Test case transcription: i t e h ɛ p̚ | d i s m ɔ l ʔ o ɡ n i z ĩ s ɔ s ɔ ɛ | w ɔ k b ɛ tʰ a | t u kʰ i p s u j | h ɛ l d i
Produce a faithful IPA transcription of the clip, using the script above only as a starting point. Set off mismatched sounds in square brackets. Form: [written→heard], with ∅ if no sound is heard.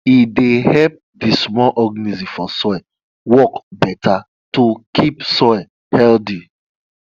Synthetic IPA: i [t→d] e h ɛ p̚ | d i s m ɔ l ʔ [o→ɔ] ɡ n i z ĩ [s→f] ɔ s ɔ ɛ | w ɔ k b ɛ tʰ a | t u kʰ i p s [u→ɔ] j | h ɛ l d i